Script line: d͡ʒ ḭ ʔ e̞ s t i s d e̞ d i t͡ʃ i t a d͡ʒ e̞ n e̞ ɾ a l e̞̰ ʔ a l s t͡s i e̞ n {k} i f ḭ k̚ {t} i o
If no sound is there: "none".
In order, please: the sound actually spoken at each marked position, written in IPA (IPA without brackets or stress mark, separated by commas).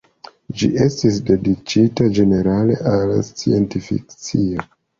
t, t͡s